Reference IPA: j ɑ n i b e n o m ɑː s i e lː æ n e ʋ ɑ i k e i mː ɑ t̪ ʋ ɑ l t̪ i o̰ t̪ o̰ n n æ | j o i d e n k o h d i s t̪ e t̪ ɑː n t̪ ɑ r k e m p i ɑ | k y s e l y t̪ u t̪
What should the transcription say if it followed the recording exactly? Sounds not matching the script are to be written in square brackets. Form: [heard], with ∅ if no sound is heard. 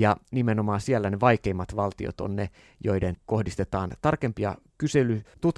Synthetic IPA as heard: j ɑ n i [m] e n o m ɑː s i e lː æ n e ʋ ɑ i k e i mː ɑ t̪ ʋ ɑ l t̪ i o̰ t̪ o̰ n n [e] | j o i d e n k o h d i s t̪ e t̪ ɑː n t̪ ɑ r k e m p i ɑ | k y s e l y t̪ u t̪